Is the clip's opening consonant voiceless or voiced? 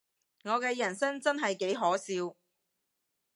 voiced